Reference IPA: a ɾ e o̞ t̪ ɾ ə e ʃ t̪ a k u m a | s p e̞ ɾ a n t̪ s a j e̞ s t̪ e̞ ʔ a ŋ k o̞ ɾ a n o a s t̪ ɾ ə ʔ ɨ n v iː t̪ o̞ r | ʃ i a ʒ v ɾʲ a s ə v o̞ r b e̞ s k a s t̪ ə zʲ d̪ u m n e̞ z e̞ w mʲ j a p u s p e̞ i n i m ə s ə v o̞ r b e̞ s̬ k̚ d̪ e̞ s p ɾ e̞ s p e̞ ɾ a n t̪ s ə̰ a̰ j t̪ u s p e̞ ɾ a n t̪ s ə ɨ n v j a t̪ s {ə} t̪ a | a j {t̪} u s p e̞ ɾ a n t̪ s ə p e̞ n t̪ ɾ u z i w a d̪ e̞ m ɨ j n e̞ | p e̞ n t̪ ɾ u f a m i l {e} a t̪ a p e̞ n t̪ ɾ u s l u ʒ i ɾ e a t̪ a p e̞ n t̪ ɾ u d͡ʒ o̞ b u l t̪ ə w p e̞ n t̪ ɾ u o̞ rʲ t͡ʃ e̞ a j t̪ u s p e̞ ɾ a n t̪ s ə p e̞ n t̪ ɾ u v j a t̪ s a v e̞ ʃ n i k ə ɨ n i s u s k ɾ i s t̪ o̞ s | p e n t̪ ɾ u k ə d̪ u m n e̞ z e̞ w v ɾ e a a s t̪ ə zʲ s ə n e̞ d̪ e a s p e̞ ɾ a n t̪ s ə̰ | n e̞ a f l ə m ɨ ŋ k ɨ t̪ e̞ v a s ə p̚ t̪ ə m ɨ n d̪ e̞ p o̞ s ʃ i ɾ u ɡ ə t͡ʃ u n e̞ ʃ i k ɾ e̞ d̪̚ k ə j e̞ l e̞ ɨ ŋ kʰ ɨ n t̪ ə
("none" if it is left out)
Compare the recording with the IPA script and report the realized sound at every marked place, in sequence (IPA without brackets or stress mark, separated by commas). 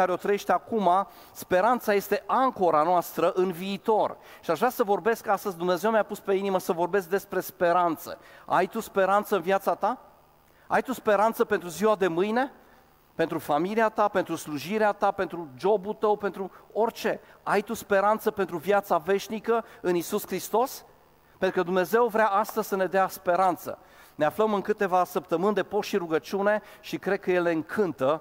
a, t̪, i